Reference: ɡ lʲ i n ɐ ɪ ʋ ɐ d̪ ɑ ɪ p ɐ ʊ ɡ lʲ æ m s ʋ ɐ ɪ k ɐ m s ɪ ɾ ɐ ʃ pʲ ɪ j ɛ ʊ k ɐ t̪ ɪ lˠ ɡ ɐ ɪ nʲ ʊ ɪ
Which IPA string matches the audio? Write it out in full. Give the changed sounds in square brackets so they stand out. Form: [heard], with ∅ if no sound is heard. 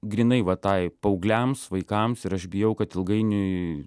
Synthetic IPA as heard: ɡ [ɾʲ] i n ɐ ɪ ʋ ɐ [t̪] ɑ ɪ p ɐ ʊ ɡ lʲ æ m s ʋ ɐ ɪ k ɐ m s ɪ ɾ ɐ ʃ [bʲ] ɪ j ɛ ʊ k ɐ t̪ ɪ lˠ ɡ ɐ ɪ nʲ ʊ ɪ